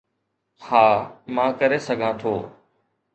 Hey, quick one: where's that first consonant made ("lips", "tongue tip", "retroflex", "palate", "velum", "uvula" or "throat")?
throat